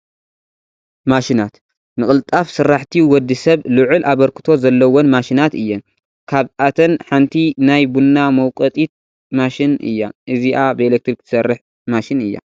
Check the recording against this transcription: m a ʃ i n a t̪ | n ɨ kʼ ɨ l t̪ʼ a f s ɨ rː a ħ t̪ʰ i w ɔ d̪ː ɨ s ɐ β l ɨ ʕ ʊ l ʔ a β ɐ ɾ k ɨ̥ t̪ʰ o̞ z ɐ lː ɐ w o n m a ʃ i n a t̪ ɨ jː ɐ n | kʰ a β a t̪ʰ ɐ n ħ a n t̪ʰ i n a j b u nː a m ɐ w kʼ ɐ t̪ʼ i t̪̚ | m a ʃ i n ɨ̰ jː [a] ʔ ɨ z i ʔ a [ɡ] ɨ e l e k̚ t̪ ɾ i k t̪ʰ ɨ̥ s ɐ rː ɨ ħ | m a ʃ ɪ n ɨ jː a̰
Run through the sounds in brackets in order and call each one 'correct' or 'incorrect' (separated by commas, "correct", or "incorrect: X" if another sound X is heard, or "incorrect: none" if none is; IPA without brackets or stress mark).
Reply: correct, incorrect: b